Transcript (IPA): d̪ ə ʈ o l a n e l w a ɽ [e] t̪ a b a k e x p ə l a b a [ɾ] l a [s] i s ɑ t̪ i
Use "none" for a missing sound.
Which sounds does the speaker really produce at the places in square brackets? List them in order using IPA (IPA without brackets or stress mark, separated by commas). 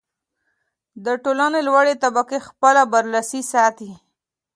e, ɾ, s